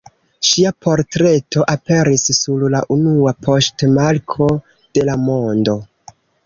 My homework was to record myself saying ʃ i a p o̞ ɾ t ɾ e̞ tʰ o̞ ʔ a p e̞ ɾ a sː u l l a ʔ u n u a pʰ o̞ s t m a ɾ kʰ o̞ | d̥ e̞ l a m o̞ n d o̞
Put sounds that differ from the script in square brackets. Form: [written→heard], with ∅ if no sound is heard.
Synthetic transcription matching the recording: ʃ i a p o̞ ɾ t ɾ e̞ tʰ o̞ ʔ a p e̞ ɾ [a→i] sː u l l a ʔ u n u a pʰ o̞ s t m a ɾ kʰ o̞ | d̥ e̞ l a m o̞ n d o̞